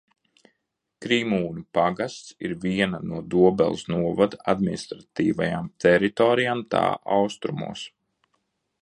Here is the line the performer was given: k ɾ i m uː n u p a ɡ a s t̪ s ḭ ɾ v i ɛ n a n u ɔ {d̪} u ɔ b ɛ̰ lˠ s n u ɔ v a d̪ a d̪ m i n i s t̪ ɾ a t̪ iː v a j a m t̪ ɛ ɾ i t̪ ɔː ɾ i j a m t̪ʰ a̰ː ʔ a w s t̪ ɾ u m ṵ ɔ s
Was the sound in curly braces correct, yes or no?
yes